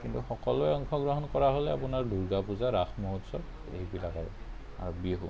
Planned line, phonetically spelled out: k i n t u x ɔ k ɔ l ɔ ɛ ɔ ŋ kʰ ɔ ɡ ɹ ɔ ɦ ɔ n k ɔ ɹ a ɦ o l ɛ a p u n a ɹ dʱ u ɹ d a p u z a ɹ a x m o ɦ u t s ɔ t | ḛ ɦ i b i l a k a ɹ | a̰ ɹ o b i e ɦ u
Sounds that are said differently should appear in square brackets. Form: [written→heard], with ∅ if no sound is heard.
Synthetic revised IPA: k i n t u x ɔ k ɔ l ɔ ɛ ɔ ŋ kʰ ɔ ɡ ɹ ɔ ɦ ɔ n k ɔ ɹ a ɦ o l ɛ a p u n a ɹ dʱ u ɹ [d→ɡ] a p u z a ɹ a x m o ɦ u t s ɔ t | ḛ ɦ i b i l a k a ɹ | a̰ ɹ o b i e ɦ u